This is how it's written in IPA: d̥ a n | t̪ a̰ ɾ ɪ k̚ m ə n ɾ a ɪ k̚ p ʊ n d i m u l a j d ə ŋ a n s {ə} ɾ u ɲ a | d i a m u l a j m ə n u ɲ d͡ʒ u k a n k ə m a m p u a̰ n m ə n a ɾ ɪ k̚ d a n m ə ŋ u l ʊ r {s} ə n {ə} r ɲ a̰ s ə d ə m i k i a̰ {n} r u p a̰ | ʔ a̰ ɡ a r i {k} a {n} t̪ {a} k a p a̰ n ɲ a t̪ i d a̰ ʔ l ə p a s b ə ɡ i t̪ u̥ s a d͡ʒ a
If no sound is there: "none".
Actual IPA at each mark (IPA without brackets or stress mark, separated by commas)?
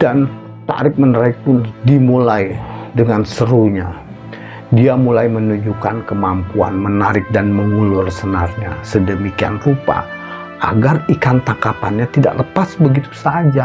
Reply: ə, s, a, n, k, n, a